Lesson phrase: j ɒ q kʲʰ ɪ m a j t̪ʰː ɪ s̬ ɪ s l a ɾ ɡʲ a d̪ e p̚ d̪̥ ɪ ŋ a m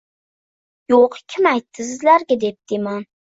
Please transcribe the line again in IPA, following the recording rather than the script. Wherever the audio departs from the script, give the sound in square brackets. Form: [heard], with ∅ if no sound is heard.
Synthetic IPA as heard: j [o] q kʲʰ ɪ m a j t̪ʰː ɪ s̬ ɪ [z] l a ɾ ɡʲ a d̪ e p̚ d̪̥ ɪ [m] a [n]